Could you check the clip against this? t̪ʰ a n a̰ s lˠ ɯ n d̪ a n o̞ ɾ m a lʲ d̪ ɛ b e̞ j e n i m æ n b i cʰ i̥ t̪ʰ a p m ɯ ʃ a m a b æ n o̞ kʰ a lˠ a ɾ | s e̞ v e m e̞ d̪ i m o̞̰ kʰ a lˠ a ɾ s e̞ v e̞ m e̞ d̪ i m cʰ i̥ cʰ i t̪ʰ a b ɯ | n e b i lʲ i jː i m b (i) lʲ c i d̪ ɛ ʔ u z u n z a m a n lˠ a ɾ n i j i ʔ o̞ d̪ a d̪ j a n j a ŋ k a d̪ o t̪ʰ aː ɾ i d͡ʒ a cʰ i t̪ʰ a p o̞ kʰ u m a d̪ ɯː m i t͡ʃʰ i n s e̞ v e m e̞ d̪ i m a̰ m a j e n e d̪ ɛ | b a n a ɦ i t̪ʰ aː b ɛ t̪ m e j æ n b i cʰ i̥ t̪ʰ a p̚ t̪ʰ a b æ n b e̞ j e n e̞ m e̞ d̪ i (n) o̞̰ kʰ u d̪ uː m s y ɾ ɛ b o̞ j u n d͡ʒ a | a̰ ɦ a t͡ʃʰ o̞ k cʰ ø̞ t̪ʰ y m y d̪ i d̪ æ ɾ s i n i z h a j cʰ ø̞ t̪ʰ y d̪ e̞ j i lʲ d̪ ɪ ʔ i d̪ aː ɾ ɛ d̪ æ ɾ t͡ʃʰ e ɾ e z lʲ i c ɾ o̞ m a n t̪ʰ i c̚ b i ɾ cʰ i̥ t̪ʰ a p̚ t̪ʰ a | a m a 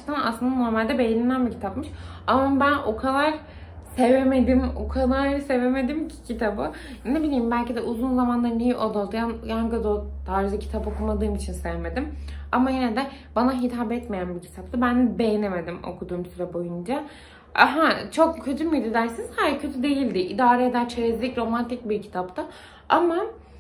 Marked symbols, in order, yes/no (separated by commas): no, no